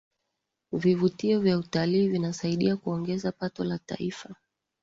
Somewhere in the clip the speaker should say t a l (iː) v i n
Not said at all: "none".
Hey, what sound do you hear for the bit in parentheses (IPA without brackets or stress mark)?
iː